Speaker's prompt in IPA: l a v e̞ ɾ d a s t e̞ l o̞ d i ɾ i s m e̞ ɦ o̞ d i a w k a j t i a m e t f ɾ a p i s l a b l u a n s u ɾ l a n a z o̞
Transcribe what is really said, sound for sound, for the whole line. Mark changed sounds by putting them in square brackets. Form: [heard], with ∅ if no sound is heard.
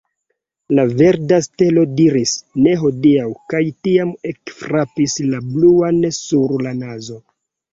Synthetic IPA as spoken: l a v e̞ ɾ d a s t e̞ l o̞ d i ɾ i s [n] e̞ ɦ o̞ d i a w k a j t i a m e [k] f ɾ a p i s l a b l u a n s u ɾ l a n a z o̞